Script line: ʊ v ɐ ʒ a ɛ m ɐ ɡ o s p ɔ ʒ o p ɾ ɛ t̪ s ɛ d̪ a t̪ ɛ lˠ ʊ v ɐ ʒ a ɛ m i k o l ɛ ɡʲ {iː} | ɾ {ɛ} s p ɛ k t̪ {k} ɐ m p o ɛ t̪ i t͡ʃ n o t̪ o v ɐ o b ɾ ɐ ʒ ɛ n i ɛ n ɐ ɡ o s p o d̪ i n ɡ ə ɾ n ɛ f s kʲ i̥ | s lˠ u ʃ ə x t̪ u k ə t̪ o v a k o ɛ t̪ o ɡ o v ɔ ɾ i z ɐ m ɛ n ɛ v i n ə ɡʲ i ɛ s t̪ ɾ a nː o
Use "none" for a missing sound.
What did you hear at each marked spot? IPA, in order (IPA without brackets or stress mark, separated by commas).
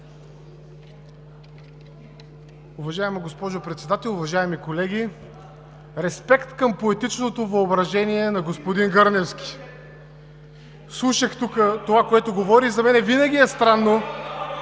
i, ɛ, k